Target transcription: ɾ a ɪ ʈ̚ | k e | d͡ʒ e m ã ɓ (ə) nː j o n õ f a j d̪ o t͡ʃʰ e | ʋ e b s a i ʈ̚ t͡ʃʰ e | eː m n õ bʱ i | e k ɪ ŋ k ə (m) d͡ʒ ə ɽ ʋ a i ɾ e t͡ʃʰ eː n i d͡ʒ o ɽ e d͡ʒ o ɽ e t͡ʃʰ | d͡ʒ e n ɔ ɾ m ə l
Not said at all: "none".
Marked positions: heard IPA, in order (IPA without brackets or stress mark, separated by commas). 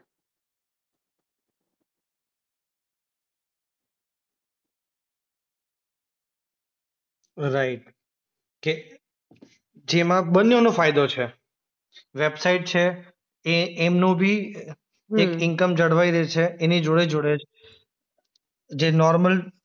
ə, m